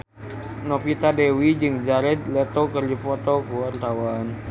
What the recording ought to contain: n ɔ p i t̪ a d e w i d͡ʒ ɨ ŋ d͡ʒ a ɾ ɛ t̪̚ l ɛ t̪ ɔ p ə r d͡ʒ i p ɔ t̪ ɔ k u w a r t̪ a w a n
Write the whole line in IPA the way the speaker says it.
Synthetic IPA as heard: n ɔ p i t̪ a d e w i d͡ʒ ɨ ŋ d͡ʒ a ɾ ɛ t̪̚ l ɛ t̪ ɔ k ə r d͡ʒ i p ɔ t̪ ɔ k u w a r t̪ a w a n